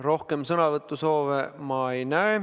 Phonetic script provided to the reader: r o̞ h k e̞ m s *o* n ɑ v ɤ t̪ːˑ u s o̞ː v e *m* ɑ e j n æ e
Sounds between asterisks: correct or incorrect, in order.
incorrect: ɤ, correct

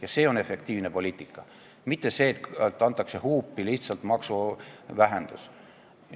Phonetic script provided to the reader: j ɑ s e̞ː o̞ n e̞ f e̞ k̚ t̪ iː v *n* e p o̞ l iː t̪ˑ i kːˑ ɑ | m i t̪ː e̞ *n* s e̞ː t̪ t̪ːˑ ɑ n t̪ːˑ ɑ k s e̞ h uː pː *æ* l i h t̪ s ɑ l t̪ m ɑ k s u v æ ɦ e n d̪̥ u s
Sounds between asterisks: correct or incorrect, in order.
correct, incorrect: none, incorrect: i

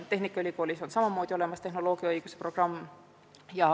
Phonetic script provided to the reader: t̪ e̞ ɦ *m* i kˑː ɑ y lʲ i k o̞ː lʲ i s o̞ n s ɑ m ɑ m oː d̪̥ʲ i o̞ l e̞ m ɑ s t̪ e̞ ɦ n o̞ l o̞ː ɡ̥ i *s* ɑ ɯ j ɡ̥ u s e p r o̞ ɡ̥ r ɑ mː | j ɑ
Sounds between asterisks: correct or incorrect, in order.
incorrect: n, incorrect: none

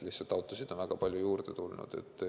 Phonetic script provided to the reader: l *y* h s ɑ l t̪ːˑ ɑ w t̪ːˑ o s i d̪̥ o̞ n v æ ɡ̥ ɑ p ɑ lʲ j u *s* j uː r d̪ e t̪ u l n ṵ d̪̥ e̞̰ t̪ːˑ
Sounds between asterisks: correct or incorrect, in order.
incorrect: i, incorrect: none

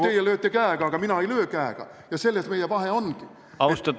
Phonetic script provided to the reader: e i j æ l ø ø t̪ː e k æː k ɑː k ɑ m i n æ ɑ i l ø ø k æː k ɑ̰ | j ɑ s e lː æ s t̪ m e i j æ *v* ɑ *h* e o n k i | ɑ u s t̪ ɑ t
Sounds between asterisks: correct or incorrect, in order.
incorrect: ʋ, correct

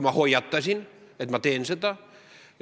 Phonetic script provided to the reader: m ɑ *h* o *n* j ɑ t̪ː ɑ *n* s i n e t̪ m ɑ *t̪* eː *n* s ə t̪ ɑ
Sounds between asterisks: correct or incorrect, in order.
correct, incorrect: none, incorrect: none, correct, correct

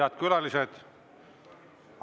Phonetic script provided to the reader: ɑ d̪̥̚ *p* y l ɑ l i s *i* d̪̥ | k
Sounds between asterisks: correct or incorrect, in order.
incorrect: k, incorrect: e

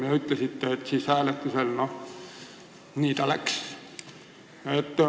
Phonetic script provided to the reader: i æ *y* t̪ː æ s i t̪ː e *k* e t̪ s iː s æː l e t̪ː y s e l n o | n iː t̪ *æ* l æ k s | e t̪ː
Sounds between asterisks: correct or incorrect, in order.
correct, incorrect: none, correct

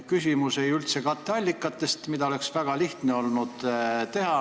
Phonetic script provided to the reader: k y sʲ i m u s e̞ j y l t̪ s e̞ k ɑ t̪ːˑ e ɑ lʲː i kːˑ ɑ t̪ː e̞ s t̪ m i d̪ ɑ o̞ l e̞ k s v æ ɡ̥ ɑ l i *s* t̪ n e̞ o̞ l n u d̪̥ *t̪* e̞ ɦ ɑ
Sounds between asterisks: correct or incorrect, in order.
incorrect: h, correct

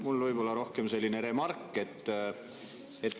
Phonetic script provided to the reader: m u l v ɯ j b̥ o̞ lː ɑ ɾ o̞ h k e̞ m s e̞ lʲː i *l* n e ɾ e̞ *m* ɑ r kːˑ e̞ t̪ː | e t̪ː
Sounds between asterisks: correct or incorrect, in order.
incorrect: none, correct

